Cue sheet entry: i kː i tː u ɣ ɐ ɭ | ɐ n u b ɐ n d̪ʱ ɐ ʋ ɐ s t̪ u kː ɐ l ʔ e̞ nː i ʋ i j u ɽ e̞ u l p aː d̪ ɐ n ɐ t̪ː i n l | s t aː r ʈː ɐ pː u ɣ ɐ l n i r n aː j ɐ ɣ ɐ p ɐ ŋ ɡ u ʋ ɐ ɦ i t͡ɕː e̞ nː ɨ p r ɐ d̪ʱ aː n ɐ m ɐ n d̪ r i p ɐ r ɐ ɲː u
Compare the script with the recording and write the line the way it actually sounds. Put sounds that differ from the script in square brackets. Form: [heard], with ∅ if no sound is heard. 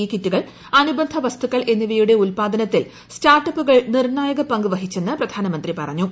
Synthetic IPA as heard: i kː i tː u ɣ ɐ ɭ | ɐ n u b ɐ n d̪ʱ ɐ ʋ ɐ s t̪ u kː ɐ [ɭ] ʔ e̞ nː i ʋ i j u ɽ e̞ u l p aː d̪ ɐ n ɐ t̪ː i [∅] l | s t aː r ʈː ɐ pː u ɣ ɐ [ɭ] n i r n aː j ɐ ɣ ɐ p ɐ ŋ ɡ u ʋ ɐ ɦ i t͡ɕː e̞ nː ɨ p r ɐ d̪ʱ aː n ɐ m ɐ n d̪ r i p ɐ r ɐ ɲː u